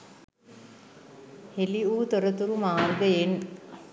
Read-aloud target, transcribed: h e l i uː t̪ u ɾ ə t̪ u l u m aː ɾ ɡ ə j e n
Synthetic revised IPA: h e l i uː t̪ o ɾ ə t̪ u ɾ u m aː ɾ ɡ ə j e n